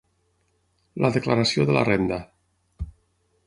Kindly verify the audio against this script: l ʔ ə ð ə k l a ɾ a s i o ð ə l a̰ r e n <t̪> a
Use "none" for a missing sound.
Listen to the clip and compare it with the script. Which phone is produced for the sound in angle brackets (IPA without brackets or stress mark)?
d̪